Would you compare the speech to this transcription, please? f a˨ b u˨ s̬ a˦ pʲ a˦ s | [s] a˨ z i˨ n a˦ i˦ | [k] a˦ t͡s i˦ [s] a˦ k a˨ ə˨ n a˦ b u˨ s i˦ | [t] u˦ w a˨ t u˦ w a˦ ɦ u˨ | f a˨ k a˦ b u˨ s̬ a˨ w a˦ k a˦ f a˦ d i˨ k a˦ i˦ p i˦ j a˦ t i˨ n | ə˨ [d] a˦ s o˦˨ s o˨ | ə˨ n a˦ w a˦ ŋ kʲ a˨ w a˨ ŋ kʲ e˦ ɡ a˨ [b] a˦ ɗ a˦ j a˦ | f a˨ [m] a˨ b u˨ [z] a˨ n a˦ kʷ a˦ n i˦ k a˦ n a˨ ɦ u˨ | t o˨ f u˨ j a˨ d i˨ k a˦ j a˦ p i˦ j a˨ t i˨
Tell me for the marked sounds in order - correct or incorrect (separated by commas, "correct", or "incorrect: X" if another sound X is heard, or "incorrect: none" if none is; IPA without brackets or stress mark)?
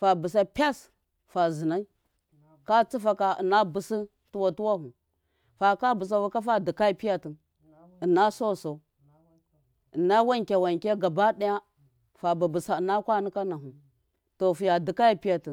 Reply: incorrect: f, correct, incorrect: f, correct, incorrect: n, correct, incorrect: b, incorrect: s